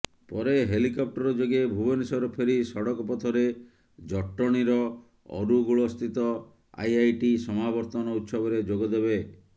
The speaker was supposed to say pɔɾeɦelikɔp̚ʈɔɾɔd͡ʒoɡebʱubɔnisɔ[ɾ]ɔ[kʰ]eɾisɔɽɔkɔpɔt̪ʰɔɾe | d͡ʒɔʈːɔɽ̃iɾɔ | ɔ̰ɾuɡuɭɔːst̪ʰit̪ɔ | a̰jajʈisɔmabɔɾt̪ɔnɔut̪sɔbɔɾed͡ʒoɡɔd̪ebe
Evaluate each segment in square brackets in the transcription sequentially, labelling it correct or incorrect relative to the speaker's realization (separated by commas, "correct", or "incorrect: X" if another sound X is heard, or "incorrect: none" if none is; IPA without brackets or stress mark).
correct, incorrect: pʰ